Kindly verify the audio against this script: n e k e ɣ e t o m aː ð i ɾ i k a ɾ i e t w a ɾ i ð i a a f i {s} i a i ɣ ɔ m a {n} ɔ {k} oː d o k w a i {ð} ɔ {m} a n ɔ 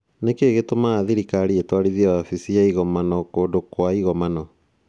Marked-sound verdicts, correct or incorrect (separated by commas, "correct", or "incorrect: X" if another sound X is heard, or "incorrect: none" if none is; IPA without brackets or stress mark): correct, correct, correct, incorrect: ɣ, correct